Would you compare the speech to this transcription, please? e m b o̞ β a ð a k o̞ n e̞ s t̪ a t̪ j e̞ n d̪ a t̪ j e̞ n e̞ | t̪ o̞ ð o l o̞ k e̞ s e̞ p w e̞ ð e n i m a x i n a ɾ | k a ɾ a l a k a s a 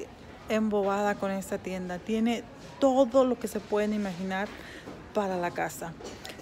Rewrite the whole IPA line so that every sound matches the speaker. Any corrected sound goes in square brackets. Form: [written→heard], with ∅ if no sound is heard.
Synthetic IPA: e m b o̞ β a ð a k o̞ n e̞ s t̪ a t̪ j e̞ n d̪ a t̪ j e̞ n e̞ | t̪ o̞ ð o l o̞ k e̞ s e̞ p w e̞ ð e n i m a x i n a ɾ | [k→p] a ɾ a l a k a s a